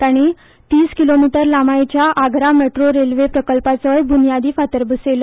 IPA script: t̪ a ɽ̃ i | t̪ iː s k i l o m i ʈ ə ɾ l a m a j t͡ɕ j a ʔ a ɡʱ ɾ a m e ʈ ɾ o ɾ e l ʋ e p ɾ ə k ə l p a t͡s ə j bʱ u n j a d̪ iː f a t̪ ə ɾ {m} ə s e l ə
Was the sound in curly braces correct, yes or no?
no